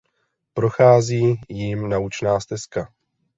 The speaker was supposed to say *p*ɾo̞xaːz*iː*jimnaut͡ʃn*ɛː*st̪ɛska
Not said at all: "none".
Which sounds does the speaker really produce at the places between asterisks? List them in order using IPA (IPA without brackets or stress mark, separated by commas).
p, iː, aː